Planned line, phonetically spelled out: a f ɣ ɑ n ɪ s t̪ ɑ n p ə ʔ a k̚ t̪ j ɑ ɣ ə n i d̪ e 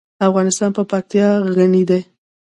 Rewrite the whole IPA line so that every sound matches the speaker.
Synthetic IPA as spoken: a f ɣ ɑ n ɪ s t̪ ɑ n p ə p a k̚ t̪ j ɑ ɣ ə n i d̪ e

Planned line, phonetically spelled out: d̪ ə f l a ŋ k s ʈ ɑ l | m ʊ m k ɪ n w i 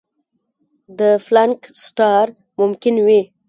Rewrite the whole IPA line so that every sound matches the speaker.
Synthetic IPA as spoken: d̪ ə f l a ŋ k s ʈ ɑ ɾ | m ʊ m k ɪ n w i

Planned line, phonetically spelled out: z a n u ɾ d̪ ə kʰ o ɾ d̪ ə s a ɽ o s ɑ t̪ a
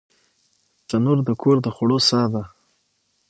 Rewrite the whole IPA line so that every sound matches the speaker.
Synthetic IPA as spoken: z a n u ɾ d̪ ə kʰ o ɾ d̪ ə x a ɽ o s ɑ d̪ a

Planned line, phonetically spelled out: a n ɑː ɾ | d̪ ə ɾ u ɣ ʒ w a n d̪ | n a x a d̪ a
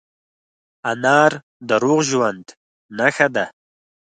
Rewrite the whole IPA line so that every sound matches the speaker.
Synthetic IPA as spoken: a n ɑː ɾ | d̪ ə ɾ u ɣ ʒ w a n d̪ | n a x a d̪ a

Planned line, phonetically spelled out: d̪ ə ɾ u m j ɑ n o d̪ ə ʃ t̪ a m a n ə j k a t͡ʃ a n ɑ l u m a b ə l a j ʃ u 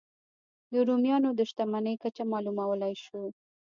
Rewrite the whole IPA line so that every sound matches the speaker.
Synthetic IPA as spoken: d̪ ə ɾ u m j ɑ n o d̪ ə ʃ t̪ a m a n ə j k a t͡ʃ a m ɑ l u m a w ə l a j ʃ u

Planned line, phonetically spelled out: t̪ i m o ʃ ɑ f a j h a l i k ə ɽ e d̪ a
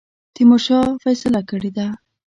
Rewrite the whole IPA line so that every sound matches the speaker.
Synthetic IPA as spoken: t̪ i m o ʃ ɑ f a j s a l a k ə ɽ e d̪ a

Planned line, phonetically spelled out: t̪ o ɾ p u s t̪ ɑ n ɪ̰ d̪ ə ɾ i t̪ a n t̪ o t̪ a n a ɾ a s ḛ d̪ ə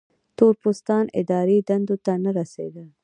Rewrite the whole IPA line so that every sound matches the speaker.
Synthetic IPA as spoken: t̪ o ɾ p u s t̪ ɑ n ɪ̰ d̪ ɑ ɾ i d̪ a n d̪ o t̪ a n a ɾ a s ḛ d̪ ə

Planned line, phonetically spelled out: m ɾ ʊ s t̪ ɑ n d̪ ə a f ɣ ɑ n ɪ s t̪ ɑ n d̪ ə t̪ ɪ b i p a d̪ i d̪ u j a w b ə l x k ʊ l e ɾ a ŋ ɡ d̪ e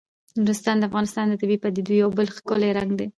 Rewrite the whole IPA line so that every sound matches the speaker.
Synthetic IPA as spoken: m ɾ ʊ s t̪ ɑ n d̪ ə a f ɣ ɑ n ɪ s t̪ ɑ n d̪ ə t̪ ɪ b i p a d̪ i d̪ u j a w b ə l x k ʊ l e ɾ a ŋ ɡ d̪ e

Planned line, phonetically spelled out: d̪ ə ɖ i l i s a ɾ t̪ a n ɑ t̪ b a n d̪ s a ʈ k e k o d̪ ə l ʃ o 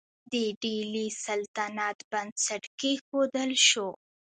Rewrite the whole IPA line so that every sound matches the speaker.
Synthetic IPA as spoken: d̪ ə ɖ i l i s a l t̪ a n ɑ t̪ b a n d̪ s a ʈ k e x o d̪ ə l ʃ o

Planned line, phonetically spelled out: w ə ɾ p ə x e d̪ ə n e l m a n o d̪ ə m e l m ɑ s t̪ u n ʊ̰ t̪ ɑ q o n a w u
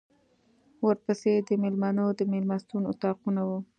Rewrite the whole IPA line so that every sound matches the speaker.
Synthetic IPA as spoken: w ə ɾ p ə s e d̪ ə m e l m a n o d̪ ə m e l m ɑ s t̪ u n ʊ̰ t̪ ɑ q u n a w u

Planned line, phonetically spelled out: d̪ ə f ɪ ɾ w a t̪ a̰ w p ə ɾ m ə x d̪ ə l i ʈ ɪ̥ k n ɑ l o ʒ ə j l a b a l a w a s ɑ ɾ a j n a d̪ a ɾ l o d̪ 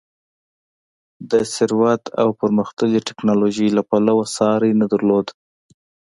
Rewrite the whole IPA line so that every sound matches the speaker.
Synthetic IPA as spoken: d̪ ə s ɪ ɾ w a t̪ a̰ w p ə ɾ m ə x t̪ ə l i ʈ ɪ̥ k n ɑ l o ʒ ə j l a p a l a w a s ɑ ɾ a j n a d̪ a ɾ l o d̪

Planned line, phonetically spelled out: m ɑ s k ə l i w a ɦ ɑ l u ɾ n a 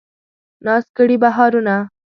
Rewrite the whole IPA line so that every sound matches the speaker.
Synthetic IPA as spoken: n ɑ s k ə ɽ i b a ɦ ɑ ɾ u n a

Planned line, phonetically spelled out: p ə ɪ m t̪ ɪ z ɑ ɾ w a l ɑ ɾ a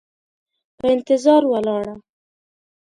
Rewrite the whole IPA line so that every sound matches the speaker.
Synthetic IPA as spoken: p ə ɪ n t̪ ɪ z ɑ ɾ w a l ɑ ɽ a

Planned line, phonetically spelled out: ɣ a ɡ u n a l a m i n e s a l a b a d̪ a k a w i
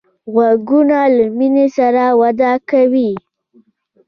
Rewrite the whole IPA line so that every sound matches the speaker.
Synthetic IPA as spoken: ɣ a ɡ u n a l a m i n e s a ɾ a w a d̪ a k a w i

